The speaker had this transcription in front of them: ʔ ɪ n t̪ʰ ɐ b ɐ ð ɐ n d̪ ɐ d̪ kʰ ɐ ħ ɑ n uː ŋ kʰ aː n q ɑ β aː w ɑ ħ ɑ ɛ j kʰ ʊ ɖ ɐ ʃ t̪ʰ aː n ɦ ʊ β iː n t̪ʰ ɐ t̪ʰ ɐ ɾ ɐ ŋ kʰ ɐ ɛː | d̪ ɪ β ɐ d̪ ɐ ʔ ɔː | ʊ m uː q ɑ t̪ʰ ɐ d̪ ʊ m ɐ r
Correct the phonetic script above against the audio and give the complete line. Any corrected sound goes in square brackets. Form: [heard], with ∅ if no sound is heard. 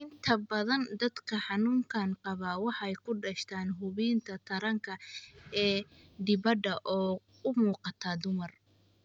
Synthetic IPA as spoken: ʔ ɪ n t̪ʰ ɐ b ɐ ð ɐ n d̪ ɐ d̪ kʰ ɐ ħ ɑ n uː ŋ kʰ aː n q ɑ β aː w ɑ ħ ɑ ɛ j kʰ ʊ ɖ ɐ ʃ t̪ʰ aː n ɦ ʊ β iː n t̪ʰ ɐ t̪ʰ ɐ ɾ ɐ ŋ kʰ ɐ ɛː | d̪ ɪ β ɐ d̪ ɐ ʔ ɔː | ʊ m uː q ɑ t̪ʰ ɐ d̪ ʊ m ɐ r